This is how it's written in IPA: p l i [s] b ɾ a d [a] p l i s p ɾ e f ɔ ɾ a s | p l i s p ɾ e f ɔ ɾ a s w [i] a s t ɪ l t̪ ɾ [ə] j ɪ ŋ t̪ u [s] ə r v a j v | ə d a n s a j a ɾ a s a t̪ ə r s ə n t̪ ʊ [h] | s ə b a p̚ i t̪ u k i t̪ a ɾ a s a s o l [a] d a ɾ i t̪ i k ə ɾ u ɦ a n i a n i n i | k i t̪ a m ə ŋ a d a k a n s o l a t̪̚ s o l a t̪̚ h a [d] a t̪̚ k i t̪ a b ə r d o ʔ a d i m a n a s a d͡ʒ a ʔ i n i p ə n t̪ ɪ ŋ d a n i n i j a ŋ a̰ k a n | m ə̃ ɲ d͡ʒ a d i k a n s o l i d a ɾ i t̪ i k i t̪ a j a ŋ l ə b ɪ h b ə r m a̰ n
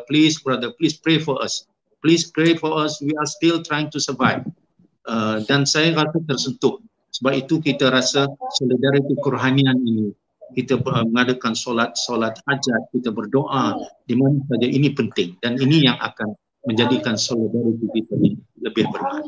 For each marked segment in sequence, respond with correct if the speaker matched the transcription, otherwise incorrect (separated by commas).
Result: correct, incorrect, correct, incorrect, correct, correct, incorrect, incorrect